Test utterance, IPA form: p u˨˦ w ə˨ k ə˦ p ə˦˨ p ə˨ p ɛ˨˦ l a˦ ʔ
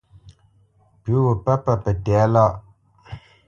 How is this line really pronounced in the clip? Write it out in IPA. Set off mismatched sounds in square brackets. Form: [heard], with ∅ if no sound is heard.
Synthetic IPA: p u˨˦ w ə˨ [p] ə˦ p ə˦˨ p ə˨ [t] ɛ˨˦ l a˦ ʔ